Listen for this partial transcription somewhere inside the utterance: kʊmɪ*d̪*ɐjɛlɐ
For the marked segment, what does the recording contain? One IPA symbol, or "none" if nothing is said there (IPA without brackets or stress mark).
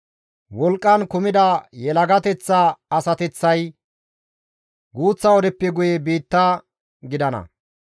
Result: d̪